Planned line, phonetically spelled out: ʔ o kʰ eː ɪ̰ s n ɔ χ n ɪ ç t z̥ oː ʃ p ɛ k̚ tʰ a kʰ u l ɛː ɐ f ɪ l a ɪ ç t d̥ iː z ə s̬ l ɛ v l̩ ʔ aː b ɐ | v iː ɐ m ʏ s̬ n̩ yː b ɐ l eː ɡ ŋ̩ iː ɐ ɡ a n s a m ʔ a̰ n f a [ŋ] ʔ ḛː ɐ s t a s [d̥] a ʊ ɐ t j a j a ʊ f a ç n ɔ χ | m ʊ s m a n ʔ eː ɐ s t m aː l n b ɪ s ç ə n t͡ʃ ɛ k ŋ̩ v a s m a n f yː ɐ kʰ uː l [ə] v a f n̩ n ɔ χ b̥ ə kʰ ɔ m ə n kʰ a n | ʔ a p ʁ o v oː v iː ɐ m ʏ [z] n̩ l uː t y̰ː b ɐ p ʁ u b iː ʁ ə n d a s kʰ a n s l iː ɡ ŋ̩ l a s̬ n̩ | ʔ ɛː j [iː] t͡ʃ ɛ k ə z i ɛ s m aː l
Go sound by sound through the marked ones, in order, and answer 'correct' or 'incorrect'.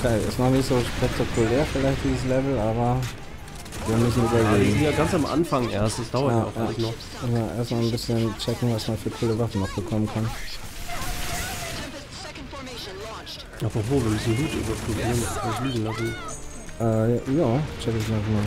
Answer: correct, correct, correct, incorrect, incorrect

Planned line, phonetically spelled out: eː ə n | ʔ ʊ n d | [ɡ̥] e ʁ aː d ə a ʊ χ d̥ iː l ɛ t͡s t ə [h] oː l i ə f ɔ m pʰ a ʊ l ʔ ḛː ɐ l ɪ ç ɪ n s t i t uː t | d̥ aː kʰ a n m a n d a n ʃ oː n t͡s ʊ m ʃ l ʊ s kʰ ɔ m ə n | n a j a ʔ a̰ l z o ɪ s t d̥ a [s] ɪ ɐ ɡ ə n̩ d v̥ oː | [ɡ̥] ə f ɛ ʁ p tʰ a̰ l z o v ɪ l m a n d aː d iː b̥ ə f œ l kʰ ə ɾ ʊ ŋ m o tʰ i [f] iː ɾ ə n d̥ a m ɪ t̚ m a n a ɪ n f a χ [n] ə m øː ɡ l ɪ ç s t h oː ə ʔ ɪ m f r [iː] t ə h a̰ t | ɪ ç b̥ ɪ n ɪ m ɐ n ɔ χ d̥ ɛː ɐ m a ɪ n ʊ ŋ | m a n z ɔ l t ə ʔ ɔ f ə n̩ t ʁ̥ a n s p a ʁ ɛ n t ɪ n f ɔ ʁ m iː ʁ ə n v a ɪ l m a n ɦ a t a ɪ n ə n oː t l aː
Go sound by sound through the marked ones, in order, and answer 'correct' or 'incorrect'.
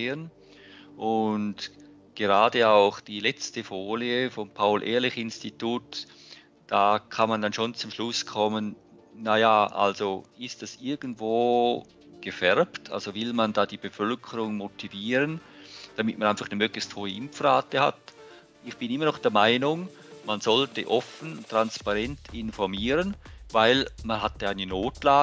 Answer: correct, incorrect, correct, correct, incorrect, correct, incorrect

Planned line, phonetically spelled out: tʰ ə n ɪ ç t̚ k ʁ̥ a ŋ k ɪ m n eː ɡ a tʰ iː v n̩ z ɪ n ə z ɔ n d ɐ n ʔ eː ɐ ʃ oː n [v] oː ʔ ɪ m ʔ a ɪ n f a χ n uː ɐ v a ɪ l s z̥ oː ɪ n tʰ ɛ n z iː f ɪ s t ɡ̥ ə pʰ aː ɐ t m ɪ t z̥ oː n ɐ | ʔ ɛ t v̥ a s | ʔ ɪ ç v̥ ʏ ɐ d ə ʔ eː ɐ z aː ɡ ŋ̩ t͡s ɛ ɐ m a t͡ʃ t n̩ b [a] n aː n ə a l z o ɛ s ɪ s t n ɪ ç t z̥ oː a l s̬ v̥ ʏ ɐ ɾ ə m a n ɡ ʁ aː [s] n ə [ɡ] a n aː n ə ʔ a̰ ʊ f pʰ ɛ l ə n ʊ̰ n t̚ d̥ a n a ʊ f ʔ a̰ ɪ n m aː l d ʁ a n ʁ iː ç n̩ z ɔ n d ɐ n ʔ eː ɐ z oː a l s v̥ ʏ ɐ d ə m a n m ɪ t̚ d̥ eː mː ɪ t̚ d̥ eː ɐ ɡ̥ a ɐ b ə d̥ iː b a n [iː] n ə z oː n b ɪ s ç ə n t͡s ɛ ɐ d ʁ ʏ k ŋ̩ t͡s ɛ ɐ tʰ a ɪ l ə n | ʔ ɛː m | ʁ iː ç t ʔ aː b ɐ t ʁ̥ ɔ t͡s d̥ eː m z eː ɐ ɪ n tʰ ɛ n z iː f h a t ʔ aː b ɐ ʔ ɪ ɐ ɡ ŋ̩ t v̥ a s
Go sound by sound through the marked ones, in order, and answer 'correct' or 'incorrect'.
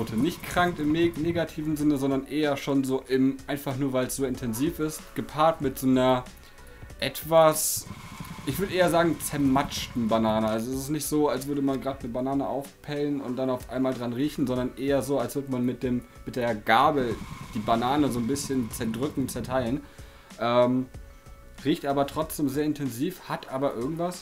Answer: incorrect, correct, incorrect, incorrect, incorrect

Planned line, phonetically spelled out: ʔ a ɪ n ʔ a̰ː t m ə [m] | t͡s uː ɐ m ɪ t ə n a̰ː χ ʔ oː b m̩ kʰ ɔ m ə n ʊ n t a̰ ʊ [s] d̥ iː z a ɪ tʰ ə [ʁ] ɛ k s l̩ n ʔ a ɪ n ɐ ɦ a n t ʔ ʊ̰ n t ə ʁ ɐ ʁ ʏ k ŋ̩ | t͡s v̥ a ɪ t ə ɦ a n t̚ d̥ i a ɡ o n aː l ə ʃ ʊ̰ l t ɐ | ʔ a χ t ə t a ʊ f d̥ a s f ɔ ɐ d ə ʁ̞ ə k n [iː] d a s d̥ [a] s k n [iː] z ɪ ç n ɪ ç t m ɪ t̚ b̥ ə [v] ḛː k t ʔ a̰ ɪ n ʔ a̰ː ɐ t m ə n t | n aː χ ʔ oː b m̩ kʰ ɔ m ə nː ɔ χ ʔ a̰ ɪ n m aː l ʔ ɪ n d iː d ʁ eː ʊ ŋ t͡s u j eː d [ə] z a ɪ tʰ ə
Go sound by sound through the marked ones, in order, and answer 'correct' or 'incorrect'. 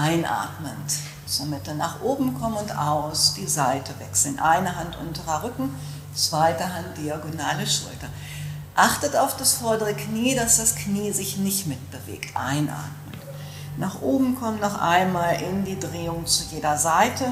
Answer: incorrect, correct, incorrect, correct, correct, correct, correct, incorrect

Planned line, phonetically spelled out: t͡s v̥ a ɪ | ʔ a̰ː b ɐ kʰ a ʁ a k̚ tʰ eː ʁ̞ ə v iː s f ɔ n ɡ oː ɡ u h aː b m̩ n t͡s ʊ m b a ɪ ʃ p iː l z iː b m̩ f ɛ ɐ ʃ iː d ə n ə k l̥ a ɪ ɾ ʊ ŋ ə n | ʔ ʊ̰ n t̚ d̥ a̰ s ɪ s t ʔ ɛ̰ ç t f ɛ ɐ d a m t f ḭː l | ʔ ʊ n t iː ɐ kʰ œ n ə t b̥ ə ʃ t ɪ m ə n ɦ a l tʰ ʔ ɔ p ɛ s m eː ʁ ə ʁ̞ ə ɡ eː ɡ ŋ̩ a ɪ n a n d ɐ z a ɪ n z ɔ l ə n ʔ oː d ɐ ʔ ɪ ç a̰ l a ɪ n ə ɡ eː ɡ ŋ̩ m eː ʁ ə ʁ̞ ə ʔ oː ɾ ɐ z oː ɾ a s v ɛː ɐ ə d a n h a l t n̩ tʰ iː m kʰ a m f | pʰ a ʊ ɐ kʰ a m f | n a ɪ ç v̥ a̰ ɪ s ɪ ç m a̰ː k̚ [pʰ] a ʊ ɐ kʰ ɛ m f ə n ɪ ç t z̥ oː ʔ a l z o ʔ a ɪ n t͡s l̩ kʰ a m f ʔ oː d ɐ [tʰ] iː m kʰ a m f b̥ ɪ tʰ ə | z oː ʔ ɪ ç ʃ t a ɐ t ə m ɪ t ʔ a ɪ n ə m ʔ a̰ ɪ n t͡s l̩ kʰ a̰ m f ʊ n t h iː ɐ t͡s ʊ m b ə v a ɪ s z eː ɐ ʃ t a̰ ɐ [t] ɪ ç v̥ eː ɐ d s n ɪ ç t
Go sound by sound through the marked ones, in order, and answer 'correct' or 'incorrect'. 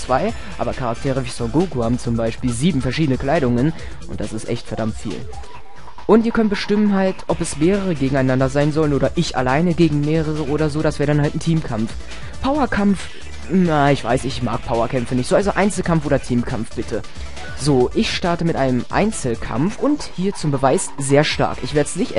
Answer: correct, correct, incorrect

